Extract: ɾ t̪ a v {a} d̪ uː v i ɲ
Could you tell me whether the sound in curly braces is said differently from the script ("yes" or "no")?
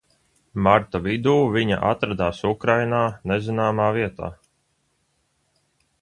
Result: yes